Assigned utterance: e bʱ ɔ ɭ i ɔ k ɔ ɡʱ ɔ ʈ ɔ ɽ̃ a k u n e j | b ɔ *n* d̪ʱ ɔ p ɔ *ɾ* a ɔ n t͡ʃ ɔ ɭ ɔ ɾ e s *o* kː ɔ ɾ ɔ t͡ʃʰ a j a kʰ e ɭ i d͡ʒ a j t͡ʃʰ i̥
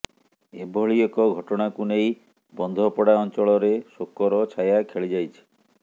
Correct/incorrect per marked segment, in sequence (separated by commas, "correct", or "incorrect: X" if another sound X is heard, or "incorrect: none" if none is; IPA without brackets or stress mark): correct, incorrect: ɽ, correct